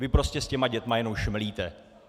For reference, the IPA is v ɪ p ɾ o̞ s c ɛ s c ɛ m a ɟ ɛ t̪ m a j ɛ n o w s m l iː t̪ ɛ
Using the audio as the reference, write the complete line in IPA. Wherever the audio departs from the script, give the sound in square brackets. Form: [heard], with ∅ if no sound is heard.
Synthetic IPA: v ɪ p ɾ o̞ s c ɛ s c ɛ m a ɟ ɛ t̪ m a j ɛ n o w [ʃ] m l iː t̪ ɛ